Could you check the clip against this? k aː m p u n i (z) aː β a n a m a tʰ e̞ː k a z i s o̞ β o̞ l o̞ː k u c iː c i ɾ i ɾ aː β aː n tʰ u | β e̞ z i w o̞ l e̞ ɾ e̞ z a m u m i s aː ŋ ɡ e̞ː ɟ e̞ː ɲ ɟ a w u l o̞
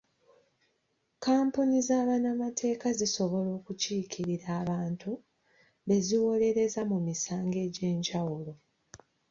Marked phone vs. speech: correct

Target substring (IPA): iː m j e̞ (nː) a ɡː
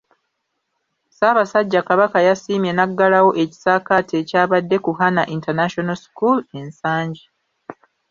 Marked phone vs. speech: incorrect: n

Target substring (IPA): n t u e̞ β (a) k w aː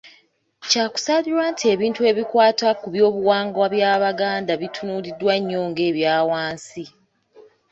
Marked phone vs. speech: incorrect: i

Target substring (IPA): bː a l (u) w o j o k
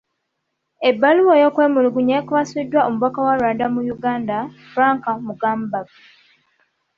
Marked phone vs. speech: correct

